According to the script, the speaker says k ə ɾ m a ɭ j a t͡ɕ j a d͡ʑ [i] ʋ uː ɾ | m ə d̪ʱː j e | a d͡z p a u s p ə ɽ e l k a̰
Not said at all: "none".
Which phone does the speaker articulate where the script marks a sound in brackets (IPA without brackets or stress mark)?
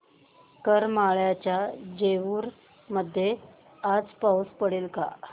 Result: e